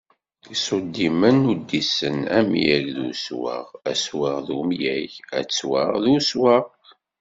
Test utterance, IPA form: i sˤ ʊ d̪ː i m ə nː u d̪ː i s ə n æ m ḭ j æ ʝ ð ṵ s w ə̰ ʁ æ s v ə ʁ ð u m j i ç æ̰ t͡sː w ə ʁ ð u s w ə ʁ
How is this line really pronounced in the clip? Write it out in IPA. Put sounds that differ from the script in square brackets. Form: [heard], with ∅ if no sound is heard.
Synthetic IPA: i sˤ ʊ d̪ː i m ə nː u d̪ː i s ə n æ m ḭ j æ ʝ ð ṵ s w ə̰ ʁ æ s [w] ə ʁ ð u m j [æ] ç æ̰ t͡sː w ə ʁ ð u s w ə ʁ